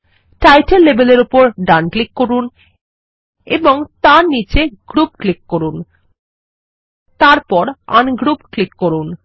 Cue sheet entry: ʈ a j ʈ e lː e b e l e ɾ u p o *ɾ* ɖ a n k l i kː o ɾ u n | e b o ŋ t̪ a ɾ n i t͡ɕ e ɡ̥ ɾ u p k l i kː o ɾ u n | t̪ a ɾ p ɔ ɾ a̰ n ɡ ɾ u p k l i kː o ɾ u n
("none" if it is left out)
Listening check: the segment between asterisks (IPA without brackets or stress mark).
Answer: ɾ